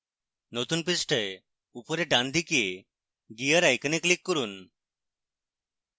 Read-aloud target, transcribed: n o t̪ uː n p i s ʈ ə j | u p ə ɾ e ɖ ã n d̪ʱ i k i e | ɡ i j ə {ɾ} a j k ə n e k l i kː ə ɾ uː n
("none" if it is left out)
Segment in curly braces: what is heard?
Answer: ɾ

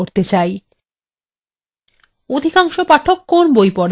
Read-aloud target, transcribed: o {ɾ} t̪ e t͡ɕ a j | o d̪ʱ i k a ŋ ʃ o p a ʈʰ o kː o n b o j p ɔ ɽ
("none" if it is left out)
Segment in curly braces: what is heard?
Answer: ɾ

